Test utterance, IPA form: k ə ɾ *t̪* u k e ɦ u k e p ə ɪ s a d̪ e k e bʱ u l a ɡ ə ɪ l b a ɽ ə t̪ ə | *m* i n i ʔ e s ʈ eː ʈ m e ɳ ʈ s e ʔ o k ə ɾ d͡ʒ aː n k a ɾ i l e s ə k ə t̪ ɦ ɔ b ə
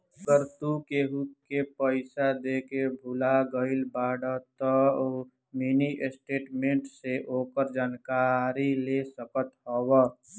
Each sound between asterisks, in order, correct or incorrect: correct, correct

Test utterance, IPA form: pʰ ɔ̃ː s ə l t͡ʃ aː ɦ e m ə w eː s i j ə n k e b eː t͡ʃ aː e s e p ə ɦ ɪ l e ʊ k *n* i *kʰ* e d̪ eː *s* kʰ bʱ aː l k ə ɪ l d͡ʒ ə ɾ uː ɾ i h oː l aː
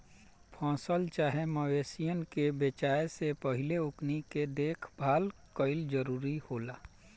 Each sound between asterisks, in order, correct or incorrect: correct, incorrect: k, incorrect: none

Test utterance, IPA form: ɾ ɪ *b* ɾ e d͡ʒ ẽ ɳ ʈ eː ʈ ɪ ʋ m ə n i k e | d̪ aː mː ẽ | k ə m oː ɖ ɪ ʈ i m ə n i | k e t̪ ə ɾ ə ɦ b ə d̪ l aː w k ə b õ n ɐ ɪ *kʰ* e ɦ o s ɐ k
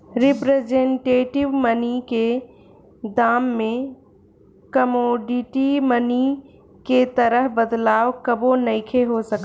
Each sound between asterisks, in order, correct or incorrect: incorrect: p, correct

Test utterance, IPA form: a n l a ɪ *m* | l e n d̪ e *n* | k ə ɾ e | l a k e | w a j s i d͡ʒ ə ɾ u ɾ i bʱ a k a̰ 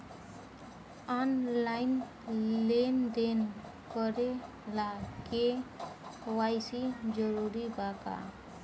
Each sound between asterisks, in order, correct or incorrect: incorrect: n, correct

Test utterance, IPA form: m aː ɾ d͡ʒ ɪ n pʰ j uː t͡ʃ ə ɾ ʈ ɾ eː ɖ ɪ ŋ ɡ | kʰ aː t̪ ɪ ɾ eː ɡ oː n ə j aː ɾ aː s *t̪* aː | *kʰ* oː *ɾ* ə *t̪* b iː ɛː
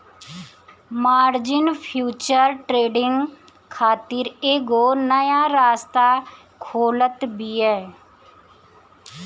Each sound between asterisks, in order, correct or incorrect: correct, correct, incorrect: l, correct

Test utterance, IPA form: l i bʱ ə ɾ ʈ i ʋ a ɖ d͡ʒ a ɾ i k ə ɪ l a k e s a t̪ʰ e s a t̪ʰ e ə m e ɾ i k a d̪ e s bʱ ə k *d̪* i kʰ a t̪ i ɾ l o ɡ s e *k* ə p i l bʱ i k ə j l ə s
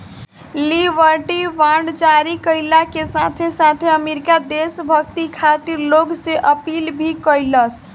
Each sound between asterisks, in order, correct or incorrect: incorrect: t̪, incorrect: ʔ

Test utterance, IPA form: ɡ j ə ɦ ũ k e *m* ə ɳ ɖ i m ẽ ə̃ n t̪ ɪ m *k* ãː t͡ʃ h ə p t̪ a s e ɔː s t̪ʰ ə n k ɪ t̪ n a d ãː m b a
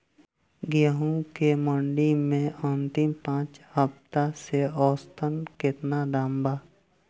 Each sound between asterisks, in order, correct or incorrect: correct, incorrect: p

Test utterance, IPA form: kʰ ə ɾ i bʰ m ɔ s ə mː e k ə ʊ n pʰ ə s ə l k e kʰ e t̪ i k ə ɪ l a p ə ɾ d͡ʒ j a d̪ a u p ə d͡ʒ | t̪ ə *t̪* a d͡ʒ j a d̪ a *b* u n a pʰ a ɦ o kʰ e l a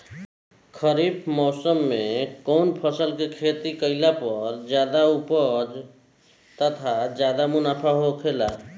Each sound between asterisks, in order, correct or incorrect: incorrect: t̪ʰ, incorrect: m

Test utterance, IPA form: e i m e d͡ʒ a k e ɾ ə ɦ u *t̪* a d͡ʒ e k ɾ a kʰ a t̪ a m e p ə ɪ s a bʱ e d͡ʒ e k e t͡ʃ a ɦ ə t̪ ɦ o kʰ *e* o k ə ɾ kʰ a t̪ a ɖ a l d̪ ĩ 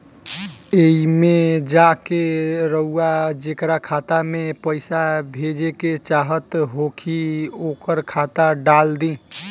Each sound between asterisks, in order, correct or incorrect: incorrect: none, incorrect: i

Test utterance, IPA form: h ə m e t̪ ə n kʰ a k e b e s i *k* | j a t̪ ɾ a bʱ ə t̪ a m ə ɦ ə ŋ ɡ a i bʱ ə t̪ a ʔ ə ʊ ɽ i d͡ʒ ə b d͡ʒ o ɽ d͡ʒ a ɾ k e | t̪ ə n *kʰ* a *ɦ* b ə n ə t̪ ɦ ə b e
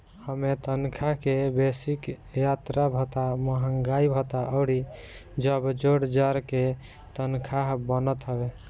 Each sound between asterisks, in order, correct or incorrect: correct, correct, correct

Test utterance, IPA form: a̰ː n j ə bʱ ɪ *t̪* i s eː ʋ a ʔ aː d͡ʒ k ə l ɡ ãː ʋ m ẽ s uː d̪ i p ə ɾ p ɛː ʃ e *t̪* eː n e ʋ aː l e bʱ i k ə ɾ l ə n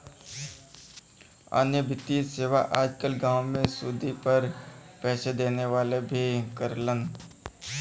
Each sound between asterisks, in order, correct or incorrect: correct, incorrect: d̪

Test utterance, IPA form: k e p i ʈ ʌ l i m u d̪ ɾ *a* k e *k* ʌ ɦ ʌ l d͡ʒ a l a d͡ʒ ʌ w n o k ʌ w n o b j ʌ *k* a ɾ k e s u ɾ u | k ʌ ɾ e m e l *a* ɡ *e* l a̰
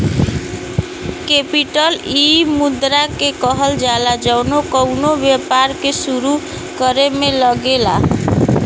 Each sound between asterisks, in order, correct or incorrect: correct, correct, incorrect: p, incorrect: ʌ, correct

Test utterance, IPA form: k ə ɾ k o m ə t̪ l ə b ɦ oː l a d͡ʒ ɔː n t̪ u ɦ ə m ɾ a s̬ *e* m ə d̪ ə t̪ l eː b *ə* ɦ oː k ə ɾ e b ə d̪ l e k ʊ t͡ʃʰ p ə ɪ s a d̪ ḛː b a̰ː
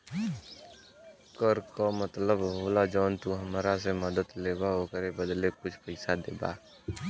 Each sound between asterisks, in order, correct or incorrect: correct, incorrect: a

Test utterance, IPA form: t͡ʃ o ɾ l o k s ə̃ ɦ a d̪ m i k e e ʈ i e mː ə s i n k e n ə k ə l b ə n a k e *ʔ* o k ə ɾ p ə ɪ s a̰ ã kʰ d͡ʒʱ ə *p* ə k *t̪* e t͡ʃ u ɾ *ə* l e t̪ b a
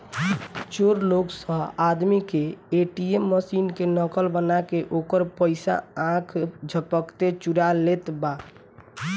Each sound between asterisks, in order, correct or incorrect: correct, correct, correct, incorrect: a

